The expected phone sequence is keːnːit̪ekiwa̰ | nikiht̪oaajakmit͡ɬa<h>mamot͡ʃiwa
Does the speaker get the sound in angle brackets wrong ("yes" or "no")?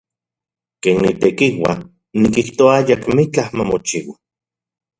no